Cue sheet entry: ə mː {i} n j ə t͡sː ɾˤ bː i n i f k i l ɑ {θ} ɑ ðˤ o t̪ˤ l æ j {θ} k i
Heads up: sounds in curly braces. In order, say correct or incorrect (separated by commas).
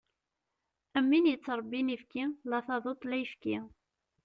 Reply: correct, correct, incorrect